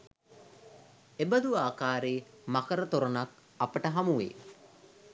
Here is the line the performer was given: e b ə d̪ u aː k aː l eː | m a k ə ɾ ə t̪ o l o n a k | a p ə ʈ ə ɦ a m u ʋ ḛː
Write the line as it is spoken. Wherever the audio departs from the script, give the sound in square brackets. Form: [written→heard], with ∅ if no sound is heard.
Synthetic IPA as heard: e b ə d̪ u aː k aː [l→ɾ] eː | m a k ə ɾ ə t̪ o [l→ɾ] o n a k | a p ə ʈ ə ɦ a m u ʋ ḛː